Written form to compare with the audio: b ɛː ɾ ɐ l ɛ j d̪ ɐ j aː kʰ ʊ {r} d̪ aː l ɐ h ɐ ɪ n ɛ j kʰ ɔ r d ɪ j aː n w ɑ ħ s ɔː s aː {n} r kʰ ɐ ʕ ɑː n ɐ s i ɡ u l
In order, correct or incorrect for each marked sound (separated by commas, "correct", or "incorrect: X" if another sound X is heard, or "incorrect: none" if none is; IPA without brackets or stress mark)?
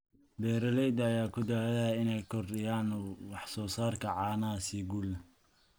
incorrect: none, incorrect: none